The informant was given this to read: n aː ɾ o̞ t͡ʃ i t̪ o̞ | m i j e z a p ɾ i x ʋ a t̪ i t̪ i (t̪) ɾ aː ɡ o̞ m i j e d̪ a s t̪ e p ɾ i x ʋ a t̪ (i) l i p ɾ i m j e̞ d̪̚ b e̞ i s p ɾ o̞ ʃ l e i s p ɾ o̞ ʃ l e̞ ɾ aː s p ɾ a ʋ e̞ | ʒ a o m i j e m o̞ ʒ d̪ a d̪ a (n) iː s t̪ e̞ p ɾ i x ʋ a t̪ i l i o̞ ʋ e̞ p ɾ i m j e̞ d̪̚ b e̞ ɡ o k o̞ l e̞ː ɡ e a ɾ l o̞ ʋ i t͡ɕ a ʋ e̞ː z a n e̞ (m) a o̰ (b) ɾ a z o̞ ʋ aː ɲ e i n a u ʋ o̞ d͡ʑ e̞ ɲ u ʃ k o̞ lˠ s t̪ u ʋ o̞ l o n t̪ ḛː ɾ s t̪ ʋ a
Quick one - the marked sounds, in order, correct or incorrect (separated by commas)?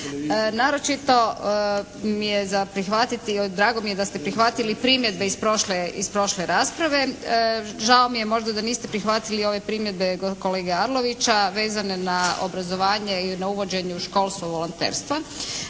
incorrect, correct, correct, incorrect, correct